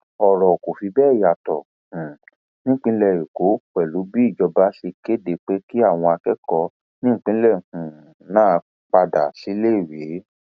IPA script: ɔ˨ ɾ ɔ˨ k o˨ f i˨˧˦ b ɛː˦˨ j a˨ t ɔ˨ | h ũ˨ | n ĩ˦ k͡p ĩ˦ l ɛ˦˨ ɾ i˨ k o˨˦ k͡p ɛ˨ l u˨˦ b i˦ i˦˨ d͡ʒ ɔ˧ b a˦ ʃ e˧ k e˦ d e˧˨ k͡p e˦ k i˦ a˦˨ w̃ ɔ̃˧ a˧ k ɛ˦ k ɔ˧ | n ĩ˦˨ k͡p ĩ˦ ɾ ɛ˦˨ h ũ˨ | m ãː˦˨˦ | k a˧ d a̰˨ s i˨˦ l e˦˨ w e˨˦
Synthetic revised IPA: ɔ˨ ɾ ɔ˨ k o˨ f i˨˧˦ b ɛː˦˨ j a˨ t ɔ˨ | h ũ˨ | n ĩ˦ k͡p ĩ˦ l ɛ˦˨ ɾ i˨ k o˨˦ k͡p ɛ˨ l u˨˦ b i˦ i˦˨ d͡ʒ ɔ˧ b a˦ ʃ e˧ k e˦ d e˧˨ k͡p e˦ k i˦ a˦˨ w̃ ɔ̃˧ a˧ k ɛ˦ k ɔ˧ | n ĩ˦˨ k͡p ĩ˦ l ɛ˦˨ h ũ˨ | n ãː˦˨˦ | k͡p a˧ d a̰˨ s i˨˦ l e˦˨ w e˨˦